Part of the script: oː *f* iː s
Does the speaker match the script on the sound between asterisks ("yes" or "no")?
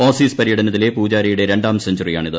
no